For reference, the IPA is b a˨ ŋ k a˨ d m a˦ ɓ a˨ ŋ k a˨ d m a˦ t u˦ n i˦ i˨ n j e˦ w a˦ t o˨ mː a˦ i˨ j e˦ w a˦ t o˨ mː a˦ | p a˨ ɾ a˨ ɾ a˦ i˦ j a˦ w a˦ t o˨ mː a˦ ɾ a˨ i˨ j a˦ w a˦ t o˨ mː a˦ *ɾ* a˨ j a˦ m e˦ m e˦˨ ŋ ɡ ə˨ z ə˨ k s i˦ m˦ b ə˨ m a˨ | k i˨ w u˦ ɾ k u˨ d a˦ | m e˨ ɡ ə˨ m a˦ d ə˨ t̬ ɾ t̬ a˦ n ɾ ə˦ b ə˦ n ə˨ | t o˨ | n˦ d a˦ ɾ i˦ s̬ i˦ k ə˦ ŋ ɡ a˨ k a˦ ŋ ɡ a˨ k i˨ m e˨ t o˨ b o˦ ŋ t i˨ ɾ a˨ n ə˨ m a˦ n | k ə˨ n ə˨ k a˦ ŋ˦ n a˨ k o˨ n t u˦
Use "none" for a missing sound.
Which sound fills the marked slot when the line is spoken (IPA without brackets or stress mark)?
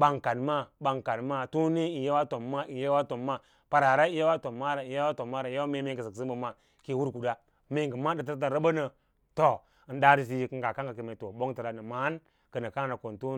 ɾ